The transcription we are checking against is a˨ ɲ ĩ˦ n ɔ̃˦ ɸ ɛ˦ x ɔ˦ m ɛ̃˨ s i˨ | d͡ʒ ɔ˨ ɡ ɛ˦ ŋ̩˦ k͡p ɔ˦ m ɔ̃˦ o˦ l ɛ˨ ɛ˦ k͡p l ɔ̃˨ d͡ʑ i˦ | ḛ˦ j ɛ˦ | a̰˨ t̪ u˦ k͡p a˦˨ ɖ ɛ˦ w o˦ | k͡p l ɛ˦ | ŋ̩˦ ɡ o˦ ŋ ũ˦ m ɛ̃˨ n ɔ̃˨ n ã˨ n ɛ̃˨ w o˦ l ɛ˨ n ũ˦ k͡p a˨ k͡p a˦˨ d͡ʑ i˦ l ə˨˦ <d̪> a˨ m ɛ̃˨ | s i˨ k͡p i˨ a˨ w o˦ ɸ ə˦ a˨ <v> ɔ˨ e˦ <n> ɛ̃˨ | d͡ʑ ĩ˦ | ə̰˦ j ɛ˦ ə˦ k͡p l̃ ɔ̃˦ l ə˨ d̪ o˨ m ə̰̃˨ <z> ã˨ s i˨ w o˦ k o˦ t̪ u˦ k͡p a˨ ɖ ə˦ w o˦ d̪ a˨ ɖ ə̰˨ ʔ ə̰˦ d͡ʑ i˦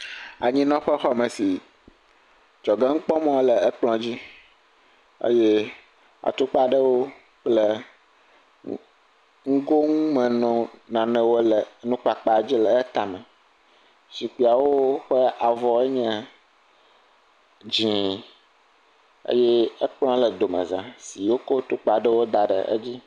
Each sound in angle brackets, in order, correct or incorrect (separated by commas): incorrect, correct, incorrect, correct